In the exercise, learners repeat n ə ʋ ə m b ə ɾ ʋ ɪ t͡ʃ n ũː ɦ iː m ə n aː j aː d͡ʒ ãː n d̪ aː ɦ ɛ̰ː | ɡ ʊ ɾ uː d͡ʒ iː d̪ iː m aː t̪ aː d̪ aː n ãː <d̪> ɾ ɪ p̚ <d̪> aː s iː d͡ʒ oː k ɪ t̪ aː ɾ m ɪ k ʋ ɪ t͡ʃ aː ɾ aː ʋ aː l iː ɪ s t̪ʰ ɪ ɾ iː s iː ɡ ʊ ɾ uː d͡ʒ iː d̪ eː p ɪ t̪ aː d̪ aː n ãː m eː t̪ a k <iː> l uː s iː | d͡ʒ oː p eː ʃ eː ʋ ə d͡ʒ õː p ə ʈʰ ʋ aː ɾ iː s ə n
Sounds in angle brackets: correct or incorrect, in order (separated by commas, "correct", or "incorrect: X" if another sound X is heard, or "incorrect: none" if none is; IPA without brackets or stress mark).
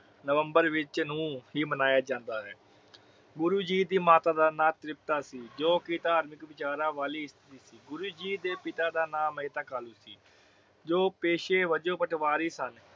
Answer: incorrect: t̪, incorrect: t̪, incorrect: aː